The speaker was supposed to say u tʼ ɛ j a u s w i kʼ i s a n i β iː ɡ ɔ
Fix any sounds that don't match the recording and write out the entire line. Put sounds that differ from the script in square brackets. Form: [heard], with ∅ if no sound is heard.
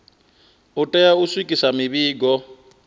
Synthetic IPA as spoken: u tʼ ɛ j a u s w i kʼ i s a [m] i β iː ɡ ɔ